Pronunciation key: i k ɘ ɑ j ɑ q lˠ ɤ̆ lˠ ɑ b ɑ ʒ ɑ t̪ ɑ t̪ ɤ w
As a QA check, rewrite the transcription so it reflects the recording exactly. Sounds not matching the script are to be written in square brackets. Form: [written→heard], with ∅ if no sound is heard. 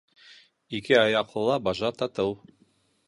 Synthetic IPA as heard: i k ɘ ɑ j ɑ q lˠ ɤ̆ lˠ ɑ b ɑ ʒ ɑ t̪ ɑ t̪ ɤ w